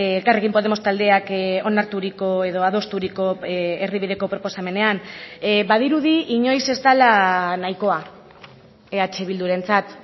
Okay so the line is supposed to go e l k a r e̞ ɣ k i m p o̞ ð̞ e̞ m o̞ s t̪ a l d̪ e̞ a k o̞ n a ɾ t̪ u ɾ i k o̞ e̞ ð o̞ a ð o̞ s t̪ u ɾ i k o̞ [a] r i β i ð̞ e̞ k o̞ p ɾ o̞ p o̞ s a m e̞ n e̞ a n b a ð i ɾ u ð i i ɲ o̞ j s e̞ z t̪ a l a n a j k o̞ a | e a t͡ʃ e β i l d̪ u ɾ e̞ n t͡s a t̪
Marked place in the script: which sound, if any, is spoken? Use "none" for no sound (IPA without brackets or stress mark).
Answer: e